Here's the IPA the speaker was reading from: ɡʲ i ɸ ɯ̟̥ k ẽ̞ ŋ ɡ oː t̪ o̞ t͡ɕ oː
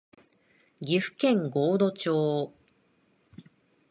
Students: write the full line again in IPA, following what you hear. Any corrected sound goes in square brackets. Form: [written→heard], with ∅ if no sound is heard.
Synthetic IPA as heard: ɡʲ i ɸ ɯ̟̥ k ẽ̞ ŋ ɡ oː [t̪→d̪] o̞ t͡ɕ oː